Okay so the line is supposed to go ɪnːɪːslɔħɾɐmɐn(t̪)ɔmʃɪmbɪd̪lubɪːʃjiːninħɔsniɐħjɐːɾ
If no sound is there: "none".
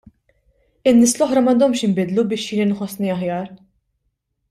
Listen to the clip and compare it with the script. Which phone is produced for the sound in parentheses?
d̪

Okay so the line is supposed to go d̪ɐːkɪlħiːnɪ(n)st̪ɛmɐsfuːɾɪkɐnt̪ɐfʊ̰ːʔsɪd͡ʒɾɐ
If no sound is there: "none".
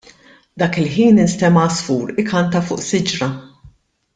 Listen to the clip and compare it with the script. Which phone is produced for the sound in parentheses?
n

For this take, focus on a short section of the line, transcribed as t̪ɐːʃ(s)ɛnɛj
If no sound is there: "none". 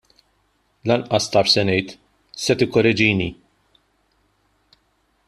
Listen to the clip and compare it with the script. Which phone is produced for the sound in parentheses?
s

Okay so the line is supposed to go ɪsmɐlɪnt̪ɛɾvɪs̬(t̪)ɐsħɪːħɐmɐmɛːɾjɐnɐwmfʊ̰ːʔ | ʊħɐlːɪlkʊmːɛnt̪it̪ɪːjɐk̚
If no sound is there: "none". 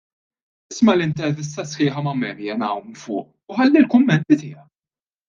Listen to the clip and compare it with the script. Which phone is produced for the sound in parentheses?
t̪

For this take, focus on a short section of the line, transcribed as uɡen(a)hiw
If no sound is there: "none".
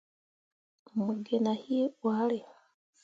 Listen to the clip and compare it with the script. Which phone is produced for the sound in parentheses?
a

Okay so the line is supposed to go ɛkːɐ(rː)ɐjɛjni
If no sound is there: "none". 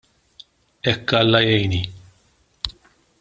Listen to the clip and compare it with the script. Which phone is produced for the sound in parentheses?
lː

